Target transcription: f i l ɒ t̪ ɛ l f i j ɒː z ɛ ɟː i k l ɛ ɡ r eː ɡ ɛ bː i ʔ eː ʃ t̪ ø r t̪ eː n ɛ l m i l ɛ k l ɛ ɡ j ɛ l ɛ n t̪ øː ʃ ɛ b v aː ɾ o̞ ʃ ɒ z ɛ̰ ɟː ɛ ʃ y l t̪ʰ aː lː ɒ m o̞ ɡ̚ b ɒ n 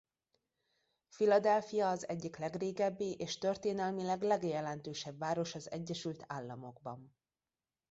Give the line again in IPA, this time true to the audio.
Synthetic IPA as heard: f i l ɒ d̪ ɛ l f i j ɒː z ɛ ɟː i k l ɛ ɡ r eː ɡ ɛ bː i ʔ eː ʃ t̪ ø r t̪ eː n ɛ l m i l ɛ ɡ l ɛ ɡ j ɛ l ɛ n t̪ øː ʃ ɛ b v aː ɾ o̞ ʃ ɒ z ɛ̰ ɟː ɛ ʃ y l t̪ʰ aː lː ɒ m o̞ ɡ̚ b ɒ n